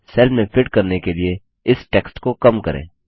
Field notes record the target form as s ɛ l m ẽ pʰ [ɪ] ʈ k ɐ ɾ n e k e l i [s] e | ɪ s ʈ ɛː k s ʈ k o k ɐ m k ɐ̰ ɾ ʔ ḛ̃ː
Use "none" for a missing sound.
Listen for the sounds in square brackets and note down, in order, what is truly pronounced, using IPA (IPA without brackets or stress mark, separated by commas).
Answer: ɪ, none